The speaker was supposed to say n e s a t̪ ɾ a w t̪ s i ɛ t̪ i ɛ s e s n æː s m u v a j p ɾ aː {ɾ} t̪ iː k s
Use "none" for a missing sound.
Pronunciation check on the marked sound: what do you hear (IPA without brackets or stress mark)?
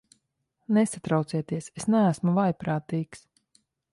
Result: none